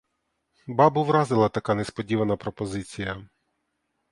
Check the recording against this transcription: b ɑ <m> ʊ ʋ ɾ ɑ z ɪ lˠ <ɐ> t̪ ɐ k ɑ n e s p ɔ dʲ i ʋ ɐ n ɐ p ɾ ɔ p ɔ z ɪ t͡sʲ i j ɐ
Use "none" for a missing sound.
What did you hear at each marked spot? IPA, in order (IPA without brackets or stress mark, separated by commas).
b, ɐ